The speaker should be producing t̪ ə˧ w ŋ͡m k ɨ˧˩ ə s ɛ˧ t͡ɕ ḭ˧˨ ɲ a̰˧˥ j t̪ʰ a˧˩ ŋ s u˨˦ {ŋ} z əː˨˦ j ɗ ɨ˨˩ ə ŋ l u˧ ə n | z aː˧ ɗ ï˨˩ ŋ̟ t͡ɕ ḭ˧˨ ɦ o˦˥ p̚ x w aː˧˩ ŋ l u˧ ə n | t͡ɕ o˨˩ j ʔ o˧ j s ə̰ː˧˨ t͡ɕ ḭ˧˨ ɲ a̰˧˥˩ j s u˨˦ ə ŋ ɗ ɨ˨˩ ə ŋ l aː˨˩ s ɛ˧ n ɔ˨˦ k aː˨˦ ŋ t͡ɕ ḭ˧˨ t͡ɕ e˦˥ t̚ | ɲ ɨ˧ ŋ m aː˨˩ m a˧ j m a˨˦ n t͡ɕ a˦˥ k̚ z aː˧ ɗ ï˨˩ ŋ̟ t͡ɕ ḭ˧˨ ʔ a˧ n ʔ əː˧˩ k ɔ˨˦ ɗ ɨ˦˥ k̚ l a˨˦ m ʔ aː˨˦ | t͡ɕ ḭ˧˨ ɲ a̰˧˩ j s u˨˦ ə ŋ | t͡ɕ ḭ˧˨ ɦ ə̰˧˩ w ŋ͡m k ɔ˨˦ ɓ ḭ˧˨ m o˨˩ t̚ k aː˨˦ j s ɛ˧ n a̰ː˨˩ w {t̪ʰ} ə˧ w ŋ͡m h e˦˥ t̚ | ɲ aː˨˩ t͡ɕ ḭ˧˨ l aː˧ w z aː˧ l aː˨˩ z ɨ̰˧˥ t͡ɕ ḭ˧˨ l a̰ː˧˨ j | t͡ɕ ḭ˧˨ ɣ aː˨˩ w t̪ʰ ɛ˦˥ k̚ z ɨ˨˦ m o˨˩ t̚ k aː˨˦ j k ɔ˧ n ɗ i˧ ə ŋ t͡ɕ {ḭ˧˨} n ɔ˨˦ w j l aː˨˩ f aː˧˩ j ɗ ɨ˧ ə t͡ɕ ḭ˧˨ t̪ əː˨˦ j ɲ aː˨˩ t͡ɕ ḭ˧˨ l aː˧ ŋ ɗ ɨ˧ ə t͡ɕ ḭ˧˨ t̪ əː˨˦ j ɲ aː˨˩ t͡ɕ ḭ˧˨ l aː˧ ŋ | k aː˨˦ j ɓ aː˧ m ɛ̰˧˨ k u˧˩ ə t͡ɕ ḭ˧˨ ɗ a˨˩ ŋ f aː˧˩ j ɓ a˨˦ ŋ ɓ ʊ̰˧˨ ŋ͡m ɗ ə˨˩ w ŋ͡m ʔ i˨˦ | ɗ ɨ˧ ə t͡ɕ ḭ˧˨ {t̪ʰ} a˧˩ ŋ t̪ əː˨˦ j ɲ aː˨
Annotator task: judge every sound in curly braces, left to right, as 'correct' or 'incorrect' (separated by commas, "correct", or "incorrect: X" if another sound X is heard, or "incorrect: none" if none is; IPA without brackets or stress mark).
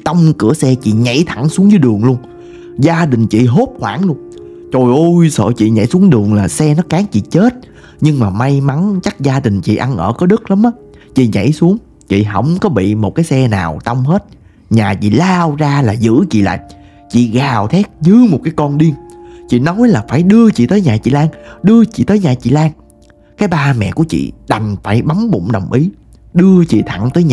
correct, incorrect: t̪, correct, correct